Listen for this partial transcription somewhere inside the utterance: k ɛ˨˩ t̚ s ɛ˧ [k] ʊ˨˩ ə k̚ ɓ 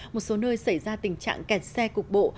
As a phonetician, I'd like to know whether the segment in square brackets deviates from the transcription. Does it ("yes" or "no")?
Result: no